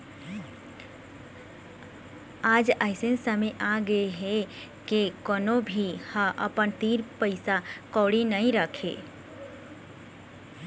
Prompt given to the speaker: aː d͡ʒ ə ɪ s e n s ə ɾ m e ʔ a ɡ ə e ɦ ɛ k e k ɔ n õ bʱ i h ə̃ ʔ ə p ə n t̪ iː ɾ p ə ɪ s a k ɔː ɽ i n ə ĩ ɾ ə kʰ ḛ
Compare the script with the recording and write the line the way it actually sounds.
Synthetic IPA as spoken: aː d͡ʒ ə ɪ s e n s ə m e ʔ a ɡ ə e ɦ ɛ k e k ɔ n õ bʱ i h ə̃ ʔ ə p ə n t̪ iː ɾ p ə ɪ s a k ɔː ɽ i n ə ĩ ɾ ə kʰ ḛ